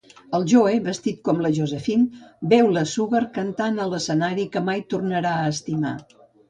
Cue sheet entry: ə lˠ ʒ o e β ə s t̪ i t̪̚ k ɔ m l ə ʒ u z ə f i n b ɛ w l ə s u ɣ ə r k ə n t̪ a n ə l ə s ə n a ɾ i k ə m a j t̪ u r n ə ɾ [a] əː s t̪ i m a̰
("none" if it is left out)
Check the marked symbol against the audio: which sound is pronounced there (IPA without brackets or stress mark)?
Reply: a